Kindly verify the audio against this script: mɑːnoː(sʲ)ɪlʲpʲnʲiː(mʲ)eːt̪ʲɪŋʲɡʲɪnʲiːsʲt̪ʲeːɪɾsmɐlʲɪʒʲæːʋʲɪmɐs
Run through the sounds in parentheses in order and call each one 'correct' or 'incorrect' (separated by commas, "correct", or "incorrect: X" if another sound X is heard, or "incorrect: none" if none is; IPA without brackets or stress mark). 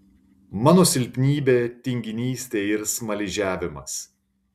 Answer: correct, incorrect: bʲ